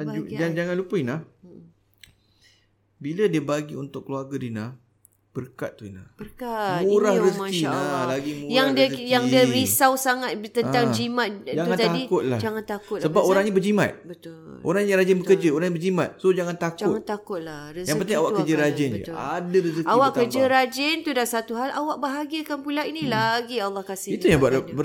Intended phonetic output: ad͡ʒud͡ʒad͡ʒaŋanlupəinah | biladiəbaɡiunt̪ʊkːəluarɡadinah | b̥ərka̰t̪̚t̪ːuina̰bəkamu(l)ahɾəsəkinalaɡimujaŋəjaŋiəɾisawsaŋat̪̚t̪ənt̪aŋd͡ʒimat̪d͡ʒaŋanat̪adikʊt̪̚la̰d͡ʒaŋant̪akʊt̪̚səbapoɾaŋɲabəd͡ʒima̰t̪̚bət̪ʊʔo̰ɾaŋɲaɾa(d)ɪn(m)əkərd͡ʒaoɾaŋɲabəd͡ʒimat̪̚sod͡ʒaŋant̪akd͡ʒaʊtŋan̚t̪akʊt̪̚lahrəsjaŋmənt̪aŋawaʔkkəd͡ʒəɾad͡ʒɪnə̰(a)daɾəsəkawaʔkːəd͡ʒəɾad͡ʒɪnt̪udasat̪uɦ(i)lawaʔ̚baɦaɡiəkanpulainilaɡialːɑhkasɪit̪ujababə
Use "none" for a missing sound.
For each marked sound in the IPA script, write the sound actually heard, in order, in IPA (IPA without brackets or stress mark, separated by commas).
ɾ, d͡ʒ, b, a, a